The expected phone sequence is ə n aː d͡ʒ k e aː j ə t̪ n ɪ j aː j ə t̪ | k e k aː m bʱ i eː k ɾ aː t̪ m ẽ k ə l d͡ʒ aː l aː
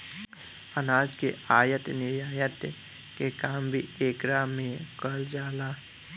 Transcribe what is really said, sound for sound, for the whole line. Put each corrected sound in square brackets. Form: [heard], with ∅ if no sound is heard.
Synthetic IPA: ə n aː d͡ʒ k e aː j ə t̪ n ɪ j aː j ə t̪ | k e k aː m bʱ i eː k ɾ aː [∅] m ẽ k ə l d͡ʒ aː l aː